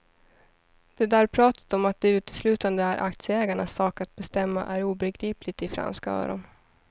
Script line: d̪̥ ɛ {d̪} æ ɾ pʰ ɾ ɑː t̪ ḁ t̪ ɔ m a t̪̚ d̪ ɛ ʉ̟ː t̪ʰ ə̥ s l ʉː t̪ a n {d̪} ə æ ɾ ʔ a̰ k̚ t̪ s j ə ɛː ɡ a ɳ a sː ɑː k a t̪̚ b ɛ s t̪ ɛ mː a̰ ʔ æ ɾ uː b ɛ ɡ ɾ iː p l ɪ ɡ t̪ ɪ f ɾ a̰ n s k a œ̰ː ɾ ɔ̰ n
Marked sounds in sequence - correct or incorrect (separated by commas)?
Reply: correct, correct